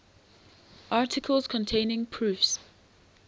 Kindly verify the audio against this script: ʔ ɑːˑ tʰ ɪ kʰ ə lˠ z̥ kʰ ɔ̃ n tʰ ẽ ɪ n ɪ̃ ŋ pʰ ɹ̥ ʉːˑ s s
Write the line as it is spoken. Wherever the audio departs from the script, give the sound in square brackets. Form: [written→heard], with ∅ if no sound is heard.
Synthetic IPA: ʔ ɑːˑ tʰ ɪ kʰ ə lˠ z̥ kʰ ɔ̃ n tʰ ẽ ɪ n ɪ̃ ŋ pʰ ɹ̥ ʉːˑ [s→f] s